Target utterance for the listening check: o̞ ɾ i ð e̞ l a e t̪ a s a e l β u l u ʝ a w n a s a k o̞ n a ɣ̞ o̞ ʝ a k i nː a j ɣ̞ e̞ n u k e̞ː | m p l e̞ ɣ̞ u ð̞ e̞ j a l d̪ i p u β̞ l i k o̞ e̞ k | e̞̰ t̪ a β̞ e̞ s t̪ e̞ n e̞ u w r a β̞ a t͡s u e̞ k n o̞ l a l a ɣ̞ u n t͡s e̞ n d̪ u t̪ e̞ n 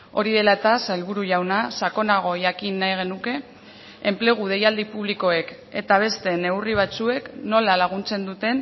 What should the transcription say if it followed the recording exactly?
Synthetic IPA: o̞ ɾ i ð e̞ l a e t̪ a s a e l β u ɾ u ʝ a w n a s a k o̞ n a ɣ̞ o̞ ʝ a k i nː a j ɣ̞ e̞ n u k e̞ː | m p l e̞ ɣ̞ u ð̞ e̞ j a l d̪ i p u β̞ l i k o̞ e̞ k | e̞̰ t̪ a β̞ e̞ s t̪ e̞ n e̞ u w r i β̞ a t͡s u e̞ k n o̞ l a l a ɣ̞ u n t͡s e̞ n d̪ u t̪ e̞ n